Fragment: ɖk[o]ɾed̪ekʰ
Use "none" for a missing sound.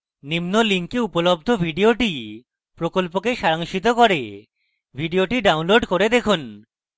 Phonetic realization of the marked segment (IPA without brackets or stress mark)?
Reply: o